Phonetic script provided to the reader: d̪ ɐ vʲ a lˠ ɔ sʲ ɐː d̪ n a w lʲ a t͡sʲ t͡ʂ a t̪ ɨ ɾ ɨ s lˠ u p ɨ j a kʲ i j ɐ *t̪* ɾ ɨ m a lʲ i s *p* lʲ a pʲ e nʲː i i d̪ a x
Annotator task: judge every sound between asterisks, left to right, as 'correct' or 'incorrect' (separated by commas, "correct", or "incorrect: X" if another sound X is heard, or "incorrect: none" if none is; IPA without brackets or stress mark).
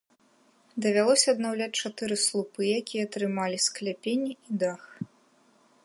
correct, incorrect: k